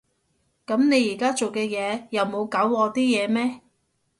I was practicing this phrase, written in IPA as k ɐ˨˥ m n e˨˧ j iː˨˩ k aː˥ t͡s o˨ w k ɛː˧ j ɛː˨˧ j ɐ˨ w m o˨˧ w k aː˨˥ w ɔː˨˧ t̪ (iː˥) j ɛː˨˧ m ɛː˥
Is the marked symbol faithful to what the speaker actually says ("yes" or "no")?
yes